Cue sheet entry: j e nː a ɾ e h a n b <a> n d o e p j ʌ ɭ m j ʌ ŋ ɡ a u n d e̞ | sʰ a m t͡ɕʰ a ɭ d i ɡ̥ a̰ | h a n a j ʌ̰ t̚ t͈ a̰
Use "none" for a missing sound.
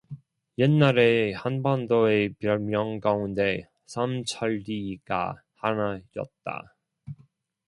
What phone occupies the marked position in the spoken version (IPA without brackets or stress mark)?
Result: a